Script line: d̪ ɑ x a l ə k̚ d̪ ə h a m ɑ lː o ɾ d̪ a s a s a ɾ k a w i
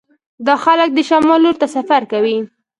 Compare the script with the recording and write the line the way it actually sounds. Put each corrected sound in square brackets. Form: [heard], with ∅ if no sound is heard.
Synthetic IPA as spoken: d̪ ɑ x a l ə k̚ d̪ ə [ʃ] a m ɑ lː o ɾ [t̪] a s a [f] a ɾ k a w i